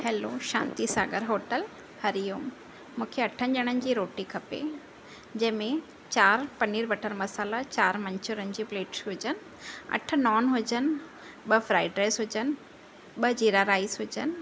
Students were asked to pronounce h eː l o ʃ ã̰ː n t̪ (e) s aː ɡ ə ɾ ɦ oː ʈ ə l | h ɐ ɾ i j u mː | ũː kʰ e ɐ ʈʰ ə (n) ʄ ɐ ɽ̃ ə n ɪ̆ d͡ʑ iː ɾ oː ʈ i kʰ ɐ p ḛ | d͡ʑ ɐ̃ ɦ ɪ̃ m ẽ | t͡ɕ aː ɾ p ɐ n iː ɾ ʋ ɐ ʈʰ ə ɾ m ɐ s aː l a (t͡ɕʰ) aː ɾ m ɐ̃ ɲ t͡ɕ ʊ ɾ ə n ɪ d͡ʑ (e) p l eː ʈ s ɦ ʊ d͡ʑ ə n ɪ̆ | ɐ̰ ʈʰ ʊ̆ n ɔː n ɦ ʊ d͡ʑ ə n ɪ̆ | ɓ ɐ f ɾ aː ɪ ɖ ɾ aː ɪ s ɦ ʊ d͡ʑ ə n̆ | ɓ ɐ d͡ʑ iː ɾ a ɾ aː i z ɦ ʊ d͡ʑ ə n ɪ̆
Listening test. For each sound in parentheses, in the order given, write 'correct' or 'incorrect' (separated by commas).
incorrect, correct, incorrect, incorrect